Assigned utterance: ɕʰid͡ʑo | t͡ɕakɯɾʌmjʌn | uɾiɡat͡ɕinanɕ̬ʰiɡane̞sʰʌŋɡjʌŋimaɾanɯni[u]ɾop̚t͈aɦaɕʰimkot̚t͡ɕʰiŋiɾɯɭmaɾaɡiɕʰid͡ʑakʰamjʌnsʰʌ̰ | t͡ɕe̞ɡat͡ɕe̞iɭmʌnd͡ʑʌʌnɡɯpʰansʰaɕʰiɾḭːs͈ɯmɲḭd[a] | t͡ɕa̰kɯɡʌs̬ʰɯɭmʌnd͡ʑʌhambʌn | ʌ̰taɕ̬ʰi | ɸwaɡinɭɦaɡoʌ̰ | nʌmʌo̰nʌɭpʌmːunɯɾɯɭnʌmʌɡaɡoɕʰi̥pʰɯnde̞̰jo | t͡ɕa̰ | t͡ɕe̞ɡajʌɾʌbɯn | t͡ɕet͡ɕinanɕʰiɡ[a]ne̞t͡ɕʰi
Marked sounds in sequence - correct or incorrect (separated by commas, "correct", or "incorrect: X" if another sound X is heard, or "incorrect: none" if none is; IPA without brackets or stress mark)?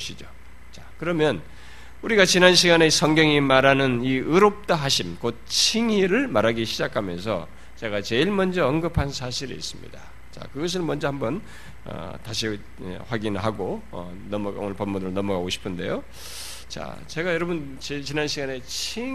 incorrect: ɯ, correct, correct